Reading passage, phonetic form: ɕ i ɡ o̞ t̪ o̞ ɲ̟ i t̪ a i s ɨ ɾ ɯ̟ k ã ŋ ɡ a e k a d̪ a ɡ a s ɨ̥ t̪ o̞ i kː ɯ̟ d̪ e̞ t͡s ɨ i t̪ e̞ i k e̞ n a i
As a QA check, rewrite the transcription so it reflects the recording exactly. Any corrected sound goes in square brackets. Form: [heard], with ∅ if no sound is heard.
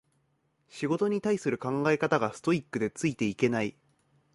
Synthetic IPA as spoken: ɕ i ɡ o̞ t̪ o̞ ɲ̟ i t̪ a i s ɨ ɾ ɯ̟ k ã ŋ ɡ a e k a [t̪] a ɡ a s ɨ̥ t̪ o̞ i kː ɯ̟ d̪ e̞ t͡s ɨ i t̪ e̞ i k e̞ n a i